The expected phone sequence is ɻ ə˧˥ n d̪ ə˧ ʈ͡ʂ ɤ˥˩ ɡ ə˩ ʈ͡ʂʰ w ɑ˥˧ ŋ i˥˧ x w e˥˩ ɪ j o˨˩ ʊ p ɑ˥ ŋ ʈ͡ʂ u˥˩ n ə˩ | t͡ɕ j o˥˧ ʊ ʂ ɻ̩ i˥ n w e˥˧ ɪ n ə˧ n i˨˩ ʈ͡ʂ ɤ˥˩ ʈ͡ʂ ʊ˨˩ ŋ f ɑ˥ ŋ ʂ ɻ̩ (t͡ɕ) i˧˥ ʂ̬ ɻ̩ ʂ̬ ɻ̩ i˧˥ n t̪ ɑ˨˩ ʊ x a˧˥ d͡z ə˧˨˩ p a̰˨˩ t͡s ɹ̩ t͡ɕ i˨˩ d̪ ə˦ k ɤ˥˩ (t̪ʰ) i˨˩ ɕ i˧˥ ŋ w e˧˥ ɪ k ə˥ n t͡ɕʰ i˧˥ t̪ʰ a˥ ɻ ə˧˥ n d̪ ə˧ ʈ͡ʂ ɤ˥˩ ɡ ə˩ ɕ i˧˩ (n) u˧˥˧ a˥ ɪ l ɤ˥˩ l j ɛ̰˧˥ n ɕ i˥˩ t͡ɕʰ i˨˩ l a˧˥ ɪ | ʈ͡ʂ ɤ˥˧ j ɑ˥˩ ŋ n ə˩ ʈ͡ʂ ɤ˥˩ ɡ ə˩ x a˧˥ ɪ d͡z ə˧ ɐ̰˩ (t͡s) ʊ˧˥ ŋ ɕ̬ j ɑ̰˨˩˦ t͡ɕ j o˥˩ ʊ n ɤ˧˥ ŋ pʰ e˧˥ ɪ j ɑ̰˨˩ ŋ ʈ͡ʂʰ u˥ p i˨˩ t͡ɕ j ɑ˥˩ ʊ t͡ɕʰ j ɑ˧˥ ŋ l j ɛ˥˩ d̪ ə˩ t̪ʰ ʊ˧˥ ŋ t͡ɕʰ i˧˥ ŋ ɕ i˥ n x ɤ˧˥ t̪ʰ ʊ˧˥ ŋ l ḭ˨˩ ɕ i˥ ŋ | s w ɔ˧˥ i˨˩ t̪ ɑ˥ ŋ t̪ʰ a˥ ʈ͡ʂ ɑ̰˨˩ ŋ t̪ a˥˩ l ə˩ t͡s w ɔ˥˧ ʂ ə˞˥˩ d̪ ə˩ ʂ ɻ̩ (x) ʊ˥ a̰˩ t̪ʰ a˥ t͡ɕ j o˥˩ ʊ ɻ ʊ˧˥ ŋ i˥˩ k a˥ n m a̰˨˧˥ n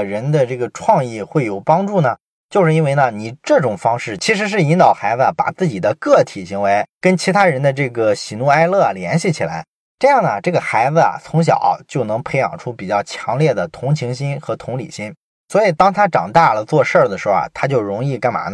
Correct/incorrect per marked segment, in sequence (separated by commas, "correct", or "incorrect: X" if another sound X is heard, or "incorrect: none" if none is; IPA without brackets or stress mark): incorrect: t͡ɕʰ, correct, correct, incorrect: t͡sʰ, correct